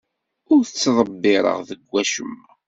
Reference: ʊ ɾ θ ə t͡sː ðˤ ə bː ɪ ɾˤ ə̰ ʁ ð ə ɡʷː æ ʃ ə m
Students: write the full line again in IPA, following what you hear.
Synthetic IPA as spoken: ʊ ɾ θ ə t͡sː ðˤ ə bː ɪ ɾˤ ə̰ ʁ ð ə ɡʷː æ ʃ ə m

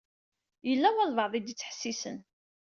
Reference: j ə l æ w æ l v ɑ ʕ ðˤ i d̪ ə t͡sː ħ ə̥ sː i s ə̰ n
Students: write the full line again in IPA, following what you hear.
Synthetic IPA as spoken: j ə lː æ w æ l v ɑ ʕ ðˤ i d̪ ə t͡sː ħ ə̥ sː i s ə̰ n

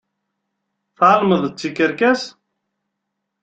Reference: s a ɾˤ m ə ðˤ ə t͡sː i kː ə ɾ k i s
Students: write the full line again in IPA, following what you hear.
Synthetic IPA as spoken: θ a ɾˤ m ə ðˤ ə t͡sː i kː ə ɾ k æ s

